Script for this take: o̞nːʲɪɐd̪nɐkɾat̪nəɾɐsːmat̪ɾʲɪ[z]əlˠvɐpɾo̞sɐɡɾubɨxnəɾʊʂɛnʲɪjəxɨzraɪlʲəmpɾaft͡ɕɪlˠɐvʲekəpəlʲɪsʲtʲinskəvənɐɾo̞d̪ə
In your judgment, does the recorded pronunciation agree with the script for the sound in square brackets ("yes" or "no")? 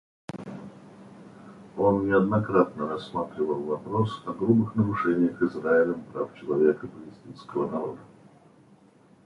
no